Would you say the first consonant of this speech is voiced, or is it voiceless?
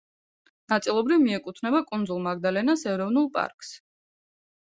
voiced